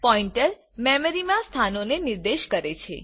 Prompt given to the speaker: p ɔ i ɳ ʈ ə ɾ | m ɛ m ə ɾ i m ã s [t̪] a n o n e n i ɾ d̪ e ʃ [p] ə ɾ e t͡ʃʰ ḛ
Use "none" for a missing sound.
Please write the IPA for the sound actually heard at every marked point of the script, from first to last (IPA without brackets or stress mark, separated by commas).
t̪ʰ, k